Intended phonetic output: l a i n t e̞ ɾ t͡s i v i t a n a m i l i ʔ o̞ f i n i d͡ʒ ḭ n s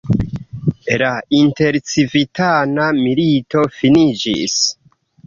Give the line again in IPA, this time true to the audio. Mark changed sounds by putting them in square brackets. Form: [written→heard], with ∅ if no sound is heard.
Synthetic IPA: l a i n t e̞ ɾ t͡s i v i t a n a m i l i [ʔ→t] o̞ f i n i d͡ʒ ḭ [n→∅] s